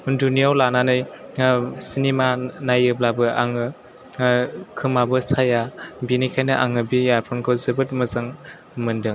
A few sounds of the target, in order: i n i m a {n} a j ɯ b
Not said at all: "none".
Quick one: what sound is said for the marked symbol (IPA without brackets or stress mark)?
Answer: n